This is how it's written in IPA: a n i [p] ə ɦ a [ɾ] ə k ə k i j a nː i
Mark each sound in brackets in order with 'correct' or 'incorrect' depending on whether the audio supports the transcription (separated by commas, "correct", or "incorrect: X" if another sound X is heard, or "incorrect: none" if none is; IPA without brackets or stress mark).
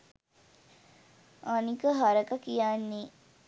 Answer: incorrect: k, correct